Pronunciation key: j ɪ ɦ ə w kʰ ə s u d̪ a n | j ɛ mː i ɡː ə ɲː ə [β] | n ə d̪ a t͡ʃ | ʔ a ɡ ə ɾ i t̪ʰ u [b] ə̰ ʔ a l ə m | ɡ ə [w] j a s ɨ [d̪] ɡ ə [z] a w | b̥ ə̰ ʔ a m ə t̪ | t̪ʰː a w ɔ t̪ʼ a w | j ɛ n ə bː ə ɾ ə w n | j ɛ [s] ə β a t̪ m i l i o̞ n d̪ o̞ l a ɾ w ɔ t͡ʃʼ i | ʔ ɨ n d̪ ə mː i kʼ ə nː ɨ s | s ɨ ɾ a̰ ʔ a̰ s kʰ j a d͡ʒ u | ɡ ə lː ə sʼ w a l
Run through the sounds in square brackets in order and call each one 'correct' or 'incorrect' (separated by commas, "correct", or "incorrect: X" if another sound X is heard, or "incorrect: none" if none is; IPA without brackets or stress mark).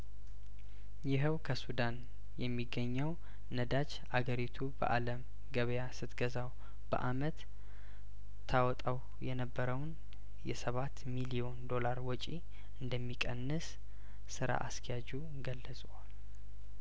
incorrect: w, correct, incorrect: β, incorrect: t̪, correct, correct